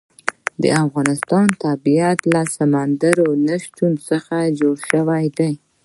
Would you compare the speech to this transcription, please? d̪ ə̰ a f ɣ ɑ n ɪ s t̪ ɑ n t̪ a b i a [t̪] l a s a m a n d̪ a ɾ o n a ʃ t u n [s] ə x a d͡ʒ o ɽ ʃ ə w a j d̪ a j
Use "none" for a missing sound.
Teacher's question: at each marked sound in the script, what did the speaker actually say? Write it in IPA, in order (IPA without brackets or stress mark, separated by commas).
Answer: t̪, s